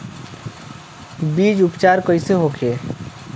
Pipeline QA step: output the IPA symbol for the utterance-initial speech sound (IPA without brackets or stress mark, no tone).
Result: b